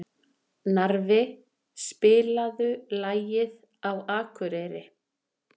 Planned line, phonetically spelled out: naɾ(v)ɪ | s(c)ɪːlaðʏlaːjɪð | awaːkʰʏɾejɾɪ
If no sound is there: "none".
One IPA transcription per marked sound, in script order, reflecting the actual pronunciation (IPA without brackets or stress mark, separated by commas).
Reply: v, p